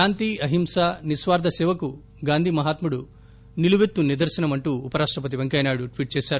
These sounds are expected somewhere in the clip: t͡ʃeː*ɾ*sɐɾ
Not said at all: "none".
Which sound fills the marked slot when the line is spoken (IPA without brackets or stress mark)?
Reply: none